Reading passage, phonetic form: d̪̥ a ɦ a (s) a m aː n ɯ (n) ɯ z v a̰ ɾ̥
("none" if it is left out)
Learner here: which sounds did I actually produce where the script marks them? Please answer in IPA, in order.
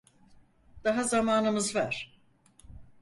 z, m

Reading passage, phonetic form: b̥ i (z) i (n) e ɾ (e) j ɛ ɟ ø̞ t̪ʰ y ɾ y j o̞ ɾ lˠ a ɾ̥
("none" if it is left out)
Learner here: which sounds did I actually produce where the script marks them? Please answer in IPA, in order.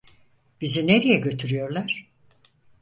z, n, i

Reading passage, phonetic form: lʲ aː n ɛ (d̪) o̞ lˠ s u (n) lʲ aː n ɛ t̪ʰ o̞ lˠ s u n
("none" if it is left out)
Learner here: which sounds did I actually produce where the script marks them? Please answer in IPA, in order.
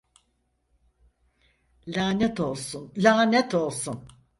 t̪, n

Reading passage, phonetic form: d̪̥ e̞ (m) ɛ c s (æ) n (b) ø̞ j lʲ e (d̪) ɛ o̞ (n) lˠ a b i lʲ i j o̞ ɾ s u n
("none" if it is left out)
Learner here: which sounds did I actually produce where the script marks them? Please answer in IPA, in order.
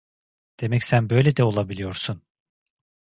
m, æ, b, d̪, none

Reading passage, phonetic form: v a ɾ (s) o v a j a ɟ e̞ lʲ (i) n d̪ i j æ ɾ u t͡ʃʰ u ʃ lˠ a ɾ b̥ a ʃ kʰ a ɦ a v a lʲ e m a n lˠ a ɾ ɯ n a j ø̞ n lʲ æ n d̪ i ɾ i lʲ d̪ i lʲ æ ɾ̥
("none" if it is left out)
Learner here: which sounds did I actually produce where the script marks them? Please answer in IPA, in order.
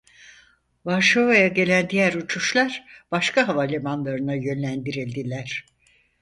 ʃ, æ

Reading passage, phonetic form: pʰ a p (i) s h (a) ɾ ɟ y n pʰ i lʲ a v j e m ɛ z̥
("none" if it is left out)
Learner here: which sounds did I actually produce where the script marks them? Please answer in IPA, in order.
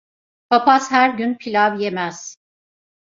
a, æ

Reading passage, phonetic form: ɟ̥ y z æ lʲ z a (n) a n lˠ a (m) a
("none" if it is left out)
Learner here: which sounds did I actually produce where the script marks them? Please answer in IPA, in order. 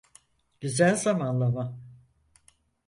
m, m

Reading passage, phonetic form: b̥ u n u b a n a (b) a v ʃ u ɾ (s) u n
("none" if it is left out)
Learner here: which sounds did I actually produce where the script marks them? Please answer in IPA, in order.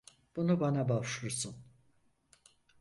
b, s

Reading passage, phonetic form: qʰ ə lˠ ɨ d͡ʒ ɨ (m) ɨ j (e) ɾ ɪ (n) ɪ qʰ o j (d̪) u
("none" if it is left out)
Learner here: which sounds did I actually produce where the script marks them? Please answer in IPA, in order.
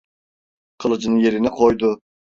n, e, n, d̪

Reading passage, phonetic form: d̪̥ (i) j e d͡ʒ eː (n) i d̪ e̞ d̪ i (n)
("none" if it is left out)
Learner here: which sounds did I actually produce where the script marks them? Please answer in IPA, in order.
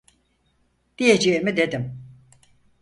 i, m, m

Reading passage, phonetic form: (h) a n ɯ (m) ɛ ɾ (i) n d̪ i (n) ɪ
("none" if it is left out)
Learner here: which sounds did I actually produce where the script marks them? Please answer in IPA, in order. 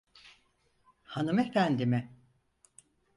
h, m, æ, m

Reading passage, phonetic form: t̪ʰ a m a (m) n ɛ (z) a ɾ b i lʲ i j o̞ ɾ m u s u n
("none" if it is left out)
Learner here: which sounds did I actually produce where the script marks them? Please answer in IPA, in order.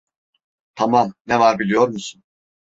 m, v

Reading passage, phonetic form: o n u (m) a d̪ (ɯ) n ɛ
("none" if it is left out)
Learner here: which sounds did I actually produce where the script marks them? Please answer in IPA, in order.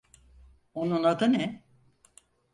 n, ɯ

